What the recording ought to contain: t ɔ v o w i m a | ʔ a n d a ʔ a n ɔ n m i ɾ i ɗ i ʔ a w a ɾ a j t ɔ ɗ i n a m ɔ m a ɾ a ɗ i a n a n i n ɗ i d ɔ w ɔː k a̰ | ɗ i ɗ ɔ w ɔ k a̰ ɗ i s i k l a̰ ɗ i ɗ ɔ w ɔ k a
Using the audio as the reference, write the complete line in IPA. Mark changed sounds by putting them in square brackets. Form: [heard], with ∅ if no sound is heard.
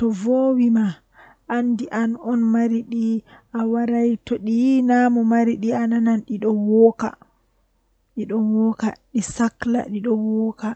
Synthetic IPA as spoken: t ɔ v o w i m a | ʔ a n d [i] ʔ a n ɔ n m [a] ɾ i ɗ i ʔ a w a ɾ a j t ɔ ɗ i n a m ɔ m a ɾ [i] ɗ i a n a n [a] n ɗ i [ɗ] ɔ w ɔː k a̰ | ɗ i ɗ ɔ w ɔ k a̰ ɗ i s [a] k l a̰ ɗ i ɗ ɔ w ɔ k a